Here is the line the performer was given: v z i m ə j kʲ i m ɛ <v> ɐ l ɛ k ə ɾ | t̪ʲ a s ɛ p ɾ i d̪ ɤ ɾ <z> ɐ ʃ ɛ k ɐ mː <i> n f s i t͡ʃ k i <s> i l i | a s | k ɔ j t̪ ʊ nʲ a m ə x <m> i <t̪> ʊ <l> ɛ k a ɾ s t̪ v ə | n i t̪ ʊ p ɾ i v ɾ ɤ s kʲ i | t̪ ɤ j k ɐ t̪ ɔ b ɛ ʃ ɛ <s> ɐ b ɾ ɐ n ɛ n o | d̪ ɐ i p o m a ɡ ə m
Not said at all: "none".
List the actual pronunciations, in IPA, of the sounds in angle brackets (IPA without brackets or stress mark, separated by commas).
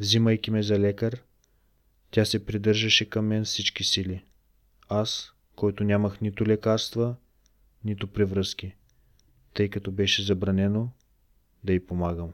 z, ʒ, ɛ, s, n, t̪, l, z